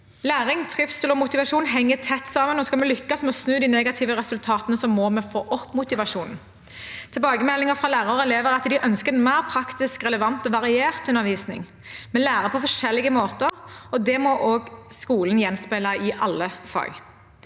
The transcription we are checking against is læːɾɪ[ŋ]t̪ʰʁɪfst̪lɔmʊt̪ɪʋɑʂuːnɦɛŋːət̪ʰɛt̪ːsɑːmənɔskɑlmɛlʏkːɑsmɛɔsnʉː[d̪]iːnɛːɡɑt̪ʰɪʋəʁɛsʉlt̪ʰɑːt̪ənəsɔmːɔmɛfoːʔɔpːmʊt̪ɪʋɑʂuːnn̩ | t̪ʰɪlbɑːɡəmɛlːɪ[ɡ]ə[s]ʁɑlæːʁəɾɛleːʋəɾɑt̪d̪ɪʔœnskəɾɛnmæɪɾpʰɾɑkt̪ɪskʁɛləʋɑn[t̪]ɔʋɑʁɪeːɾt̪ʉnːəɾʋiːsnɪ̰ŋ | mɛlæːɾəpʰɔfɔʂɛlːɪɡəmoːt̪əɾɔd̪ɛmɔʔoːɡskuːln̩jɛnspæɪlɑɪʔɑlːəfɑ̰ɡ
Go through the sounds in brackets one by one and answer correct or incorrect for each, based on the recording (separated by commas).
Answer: correct, correct, incorrect, incorrect, correct